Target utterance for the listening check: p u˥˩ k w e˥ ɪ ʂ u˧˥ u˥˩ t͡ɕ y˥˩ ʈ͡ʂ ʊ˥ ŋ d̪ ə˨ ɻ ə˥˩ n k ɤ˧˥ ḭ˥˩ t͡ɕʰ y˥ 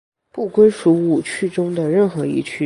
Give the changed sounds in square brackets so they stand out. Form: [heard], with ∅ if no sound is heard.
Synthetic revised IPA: p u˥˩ k w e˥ ɪ ʂ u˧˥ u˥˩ [t͡ɕʰ] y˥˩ ʈ͡ʂ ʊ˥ ŋ d̪ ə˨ ɻ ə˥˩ n [x] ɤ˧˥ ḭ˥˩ t͡ɕʰ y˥